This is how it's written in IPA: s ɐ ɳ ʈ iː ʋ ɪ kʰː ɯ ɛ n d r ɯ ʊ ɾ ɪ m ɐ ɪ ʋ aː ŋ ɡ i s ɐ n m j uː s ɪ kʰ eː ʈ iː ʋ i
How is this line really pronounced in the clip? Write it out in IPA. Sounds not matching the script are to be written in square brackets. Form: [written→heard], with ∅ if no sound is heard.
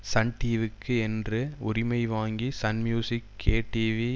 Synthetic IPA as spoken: s ɐ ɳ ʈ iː ʋ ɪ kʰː ɯ ɛ n d r ɯ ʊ ɾ ɪ m ɐ ɪ ʋ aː ŋ ɡ i s ɐ n m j uː s ɪ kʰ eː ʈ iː ʋ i